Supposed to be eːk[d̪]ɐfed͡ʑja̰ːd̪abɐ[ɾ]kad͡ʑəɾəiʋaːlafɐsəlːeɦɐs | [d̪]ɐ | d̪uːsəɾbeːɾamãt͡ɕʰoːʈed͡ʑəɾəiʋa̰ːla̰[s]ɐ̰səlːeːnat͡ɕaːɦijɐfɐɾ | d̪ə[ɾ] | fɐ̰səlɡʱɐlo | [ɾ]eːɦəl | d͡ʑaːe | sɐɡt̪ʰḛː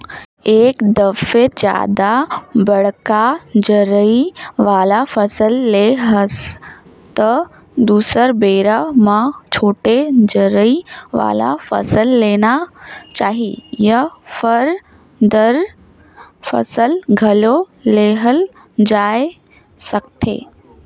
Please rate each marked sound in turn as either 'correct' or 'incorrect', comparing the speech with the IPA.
correct, incorrect: ɽ, incorrect: t̪, incorrect: f, correct, incorrect: l

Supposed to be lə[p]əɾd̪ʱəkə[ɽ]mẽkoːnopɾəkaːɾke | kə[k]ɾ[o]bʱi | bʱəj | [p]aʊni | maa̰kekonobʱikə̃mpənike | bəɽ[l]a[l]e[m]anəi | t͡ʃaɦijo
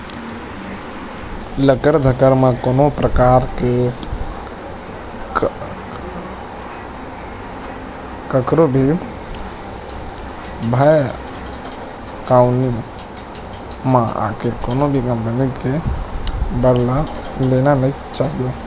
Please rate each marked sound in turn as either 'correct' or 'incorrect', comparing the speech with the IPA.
incorrect: k, incorrect: ɾ, correct, correct, incorrect: k, correct, correct, incorrect: n

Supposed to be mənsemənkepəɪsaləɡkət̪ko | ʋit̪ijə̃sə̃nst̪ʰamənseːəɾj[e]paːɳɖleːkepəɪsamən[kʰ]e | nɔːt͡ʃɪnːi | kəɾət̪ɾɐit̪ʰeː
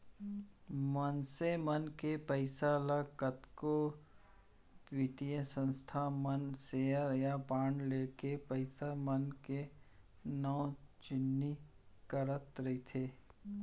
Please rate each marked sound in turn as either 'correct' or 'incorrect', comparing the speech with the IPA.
incorrect: a, incorrect: k

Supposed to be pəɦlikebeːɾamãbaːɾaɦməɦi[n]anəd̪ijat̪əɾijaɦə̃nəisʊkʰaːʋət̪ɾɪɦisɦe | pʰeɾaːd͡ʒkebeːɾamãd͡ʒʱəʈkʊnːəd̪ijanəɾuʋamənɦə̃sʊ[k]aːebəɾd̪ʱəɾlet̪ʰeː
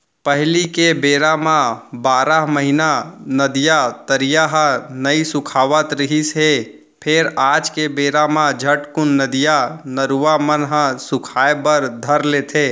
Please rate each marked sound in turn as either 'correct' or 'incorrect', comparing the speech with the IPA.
correct, incorrect: kʰ

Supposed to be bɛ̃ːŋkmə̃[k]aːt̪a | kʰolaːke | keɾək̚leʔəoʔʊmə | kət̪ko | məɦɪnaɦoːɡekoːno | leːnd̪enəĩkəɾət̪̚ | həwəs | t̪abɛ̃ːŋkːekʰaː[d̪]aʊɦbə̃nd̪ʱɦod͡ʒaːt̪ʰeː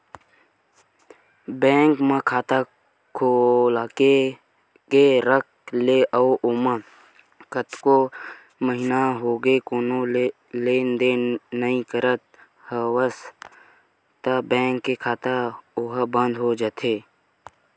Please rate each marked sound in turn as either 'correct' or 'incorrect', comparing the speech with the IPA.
incorrect: kʰ, incorrect: t̪

